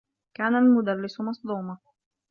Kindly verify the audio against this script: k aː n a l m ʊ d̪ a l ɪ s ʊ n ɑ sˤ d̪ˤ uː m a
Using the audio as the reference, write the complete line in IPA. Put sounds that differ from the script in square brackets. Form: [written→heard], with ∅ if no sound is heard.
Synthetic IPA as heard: k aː n a l m ʊ d̪ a [l→lː] ɪ s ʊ [n→m] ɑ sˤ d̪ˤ uː m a